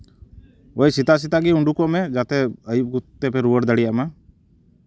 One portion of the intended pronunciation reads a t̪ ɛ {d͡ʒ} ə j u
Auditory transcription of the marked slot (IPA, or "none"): none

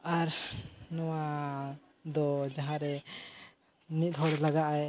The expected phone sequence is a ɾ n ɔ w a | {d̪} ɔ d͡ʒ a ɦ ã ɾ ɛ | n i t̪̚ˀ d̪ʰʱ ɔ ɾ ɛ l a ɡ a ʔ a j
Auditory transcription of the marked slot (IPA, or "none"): d̪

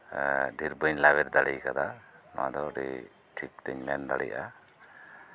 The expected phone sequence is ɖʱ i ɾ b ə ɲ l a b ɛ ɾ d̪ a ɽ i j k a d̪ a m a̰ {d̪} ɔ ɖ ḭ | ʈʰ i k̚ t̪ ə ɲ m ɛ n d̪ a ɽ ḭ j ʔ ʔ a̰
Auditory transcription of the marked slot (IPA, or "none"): d̪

